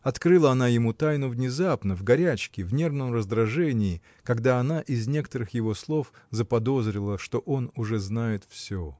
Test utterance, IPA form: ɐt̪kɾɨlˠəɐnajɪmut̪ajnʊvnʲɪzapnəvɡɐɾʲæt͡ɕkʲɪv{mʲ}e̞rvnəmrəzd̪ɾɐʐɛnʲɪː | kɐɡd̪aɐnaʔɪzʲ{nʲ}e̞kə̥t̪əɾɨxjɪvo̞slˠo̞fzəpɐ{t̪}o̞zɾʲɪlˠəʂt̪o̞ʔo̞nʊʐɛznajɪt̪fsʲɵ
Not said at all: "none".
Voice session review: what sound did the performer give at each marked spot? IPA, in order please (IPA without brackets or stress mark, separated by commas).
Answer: nʲ, nʲ, d̪